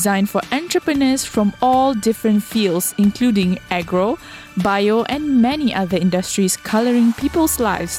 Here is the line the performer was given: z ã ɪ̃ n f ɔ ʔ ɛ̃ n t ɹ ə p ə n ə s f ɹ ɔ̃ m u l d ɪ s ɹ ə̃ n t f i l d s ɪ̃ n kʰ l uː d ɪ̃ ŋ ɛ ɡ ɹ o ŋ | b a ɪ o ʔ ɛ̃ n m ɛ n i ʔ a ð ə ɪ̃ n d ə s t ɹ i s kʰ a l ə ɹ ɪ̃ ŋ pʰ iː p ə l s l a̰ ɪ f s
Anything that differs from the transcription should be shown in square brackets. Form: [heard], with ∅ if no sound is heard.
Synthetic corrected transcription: z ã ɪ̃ n f ɔ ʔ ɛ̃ n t ɹ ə p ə n ə s f ɹ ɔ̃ m [ɔ] l d ɪ [f] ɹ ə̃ n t f i l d s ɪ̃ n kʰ l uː d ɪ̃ ŋ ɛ ɡ ɹ o [∅] | b a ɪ o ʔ ɛ̃ n m ɛ n i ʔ a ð ə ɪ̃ n d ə s t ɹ i s kʰ a l ə ɹ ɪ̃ ŋ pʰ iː p ə l s l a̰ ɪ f s